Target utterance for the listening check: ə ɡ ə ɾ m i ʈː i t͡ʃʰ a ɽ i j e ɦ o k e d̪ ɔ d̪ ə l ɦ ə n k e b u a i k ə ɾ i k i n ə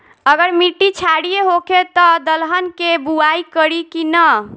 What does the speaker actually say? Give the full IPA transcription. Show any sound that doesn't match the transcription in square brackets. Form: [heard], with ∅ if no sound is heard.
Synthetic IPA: ə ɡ ə ɾ m i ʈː i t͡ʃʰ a ɽ i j e ɦ o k e [t̪] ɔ d̪ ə l ɦ ə n k e b u a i k ə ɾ i k i n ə

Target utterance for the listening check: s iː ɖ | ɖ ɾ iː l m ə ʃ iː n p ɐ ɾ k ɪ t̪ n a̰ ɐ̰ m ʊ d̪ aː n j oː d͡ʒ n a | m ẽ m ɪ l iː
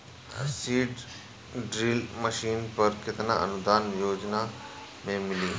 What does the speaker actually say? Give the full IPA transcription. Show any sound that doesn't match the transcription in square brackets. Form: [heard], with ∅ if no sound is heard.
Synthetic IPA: s iː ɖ | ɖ ɾ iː l m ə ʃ iː n p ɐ ɾ k ɪ t̪ n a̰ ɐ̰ [n] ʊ d̪ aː n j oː d͡ʒ n a | m ẽ m ɪ l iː

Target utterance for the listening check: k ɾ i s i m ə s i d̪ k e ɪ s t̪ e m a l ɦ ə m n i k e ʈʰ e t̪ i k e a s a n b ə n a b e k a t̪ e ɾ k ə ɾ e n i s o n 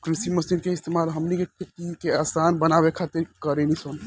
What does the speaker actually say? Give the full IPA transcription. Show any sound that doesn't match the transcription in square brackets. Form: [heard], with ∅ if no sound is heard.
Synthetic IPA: k ɾ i s i m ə s i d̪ k e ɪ s t̪ e m a l ɦ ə m n i k e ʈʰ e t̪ i k e a s a n b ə n a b e [kʰ] a t̪ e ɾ k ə ɾ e n i s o n

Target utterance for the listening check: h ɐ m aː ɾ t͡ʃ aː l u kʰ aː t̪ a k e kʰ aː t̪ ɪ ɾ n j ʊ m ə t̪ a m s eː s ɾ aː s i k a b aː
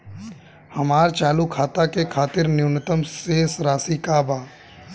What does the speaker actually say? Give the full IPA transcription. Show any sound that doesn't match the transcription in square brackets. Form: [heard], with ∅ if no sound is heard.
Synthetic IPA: h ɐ m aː ɾ t͡ʃ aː l u kʰ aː t̪ a k e kʰ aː t̪ ɪ ɾ n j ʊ [n] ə t̪ [ə] m s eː s ɾ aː s i k a b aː

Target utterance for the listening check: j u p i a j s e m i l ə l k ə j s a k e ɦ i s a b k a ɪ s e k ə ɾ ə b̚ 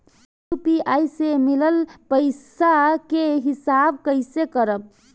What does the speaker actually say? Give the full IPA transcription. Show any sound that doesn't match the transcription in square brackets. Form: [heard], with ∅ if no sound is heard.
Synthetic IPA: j u p i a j s e m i l ə l [p] ə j s a k e ɦ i s a b k [ə] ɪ s e k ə ɾ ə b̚

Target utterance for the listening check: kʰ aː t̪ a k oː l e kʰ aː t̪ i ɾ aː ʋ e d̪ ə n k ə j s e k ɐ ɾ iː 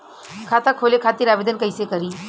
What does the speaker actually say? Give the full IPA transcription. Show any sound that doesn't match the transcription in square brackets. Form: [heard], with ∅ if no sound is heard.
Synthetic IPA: kʰ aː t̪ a [kʰ] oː l e kʰ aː t̪ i ɾ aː ʋ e d̪ ə n k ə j s e k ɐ ɾ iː

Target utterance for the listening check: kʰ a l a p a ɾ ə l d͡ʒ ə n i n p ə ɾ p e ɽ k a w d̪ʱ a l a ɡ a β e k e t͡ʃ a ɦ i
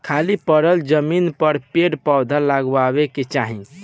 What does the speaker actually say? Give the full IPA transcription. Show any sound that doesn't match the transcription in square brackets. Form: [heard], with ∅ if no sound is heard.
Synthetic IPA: kʰ a l [i] p [ə] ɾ ə l d͡ʒ ə [m] i n p ə ɾ p e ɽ [p] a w d̪ʱ a l a ɡ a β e k e t͡ʃ a ɦ i

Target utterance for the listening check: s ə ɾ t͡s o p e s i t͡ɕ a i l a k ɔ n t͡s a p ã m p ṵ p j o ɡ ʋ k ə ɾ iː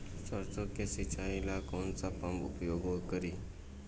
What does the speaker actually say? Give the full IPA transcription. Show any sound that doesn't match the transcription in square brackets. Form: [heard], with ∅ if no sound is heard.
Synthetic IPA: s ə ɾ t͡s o [k] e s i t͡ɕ a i l a k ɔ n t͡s a p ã m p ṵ p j o ɡ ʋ k ə ɾ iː

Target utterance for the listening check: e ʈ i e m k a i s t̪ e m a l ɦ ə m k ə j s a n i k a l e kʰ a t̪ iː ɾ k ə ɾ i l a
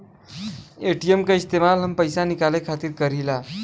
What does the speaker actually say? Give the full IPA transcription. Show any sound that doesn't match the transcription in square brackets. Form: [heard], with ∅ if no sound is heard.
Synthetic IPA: e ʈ i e m k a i s t̪ e m a l ɦ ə m [p] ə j s a n i k a l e kʰ a t̪ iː ɾ k ə ɾ i l a

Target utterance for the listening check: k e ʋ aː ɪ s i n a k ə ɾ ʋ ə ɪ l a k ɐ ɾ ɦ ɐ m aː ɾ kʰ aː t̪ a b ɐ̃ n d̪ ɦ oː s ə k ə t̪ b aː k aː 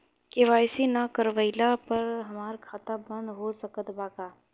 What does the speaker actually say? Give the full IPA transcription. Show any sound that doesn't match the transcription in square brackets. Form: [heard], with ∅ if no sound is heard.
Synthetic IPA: k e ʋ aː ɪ s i n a k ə ɾ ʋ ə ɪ l a [p] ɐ ɾ ɦ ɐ m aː ɾ kʰ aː t̪ a b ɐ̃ n d̪ ɦ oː s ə k ə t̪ b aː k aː

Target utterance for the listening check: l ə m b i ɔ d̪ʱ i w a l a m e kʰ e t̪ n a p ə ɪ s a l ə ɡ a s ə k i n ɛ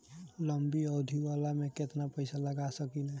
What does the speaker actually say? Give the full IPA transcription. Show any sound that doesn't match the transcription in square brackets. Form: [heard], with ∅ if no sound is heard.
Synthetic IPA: l ə m b i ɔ d̪ʱ i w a l a m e [k] e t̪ n a p ə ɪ s a l ə ɡ a s ə k i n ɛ

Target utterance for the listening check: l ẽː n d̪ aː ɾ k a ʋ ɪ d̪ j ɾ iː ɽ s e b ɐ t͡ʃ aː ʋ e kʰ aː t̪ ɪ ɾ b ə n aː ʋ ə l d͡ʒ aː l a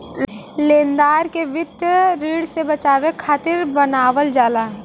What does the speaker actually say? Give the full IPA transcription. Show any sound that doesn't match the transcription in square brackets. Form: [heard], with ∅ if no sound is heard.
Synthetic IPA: l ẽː n d̪ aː ɾ k [e] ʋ ɪ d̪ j ɾ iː ɽ s e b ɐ t͡ʃ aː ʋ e kʰ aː t̪ ɪ ɾ b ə n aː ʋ ə l d͡ʒ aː l a

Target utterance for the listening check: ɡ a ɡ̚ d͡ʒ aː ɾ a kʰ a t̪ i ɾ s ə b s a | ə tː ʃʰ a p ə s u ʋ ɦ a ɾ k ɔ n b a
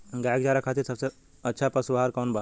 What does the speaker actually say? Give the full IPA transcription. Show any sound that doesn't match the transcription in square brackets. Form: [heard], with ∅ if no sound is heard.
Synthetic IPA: ɡ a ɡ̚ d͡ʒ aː ɾ a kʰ a t̪ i ɾ s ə b s [e] | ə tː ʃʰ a p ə s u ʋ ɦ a ɾ k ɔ n b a

